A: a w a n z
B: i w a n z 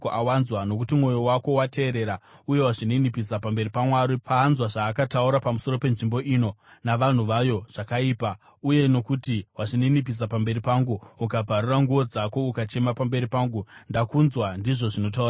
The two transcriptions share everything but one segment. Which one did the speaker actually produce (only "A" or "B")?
A